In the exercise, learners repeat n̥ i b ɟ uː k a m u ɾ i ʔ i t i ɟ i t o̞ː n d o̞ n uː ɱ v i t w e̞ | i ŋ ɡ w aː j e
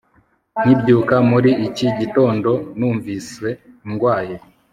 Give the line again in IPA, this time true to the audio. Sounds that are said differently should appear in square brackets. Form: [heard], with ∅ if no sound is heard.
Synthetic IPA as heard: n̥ i b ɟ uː k a m u ɾ i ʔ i [c] i ɟ i t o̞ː n d o̞ n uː ɱ v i [s] w e̞ | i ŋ ɡ w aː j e